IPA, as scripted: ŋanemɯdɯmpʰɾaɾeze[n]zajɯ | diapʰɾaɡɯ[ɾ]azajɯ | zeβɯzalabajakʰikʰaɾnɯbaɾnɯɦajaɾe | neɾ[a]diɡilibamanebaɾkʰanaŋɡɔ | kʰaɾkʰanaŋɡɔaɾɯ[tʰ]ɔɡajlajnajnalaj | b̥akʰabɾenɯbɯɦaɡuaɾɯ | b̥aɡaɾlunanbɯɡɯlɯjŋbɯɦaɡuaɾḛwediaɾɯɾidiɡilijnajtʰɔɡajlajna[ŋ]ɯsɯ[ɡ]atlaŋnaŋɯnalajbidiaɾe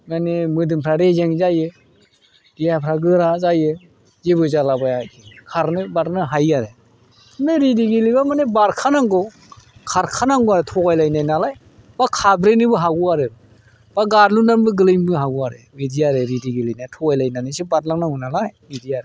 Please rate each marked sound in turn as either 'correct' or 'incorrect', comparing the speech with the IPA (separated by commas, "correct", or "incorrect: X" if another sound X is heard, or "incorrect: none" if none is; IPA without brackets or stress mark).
incorrect: ŋ, correct, incorrect: i, correct, incorrect: n, incorrect: b